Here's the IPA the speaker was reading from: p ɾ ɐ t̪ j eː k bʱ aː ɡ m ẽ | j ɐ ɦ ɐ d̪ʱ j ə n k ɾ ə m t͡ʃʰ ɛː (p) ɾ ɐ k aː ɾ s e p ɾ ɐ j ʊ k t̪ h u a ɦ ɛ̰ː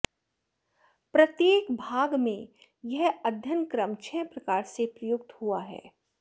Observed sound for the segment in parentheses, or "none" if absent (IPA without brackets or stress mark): p